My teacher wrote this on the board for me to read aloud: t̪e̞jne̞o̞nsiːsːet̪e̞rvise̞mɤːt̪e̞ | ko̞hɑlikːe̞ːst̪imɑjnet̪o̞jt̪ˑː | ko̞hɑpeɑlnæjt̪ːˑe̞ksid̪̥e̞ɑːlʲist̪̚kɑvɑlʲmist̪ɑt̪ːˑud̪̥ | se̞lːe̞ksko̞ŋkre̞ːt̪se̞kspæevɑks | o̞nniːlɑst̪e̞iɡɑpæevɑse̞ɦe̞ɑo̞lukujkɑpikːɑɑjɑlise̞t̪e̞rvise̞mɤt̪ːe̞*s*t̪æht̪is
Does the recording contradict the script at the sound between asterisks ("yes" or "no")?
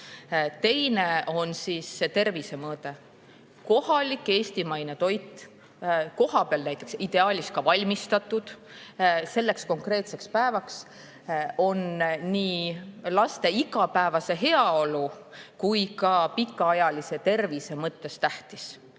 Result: no